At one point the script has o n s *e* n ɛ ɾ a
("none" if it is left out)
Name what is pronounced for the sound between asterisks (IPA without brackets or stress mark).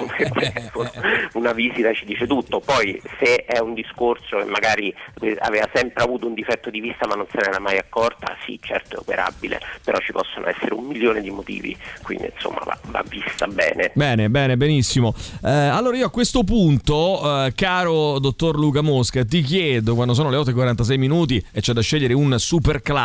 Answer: e